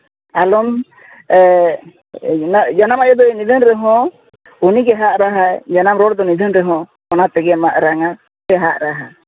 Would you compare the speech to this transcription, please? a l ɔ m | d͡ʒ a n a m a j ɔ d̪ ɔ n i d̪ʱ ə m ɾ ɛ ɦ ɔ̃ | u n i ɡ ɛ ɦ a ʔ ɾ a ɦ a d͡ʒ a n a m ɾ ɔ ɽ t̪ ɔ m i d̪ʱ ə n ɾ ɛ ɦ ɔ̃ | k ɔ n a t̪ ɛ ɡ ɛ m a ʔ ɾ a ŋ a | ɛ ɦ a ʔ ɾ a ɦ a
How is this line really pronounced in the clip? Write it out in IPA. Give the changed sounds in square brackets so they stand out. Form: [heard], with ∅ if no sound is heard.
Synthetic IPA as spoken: a l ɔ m | d͡ʒ a n a m a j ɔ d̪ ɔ n i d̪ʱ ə [n] ɾ ɛ ɦ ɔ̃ | u n i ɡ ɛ ɦ a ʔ ɾ a ɦ a d͡ʒ a n a m ɾ ɔ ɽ [d̪] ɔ [n] i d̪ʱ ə n ɾ ɛ ɦ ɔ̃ | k ɔ n a t̪ ɛ ɡ ɛ m a ʔ ɾ a ŋ a | ɛ ɦ a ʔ ɾ a ɦ a